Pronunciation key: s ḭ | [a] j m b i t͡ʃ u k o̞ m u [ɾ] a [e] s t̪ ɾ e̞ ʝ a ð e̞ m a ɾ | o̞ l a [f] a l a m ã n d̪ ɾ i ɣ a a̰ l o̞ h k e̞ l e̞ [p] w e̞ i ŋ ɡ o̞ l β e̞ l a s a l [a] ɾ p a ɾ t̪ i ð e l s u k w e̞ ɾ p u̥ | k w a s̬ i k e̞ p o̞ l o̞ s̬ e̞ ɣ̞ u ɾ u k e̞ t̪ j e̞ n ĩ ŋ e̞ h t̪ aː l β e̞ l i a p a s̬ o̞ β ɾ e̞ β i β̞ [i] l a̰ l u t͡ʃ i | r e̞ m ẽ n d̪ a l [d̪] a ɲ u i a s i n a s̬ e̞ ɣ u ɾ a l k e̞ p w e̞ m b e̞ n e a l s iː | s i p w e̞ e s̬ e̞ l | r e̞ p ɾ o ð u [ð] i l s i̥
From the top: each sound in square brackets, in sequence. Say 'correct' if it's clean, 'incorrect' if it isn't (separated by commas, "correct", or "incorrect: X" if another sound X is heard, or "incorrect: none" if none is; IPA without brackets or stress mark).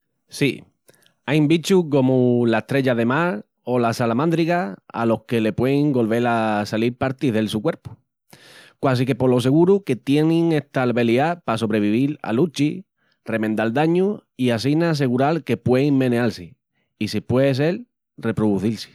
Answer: correct, incorrect: l, correct, incorrect: s, correct, incorrect: i, correct, correct, incorrect: θ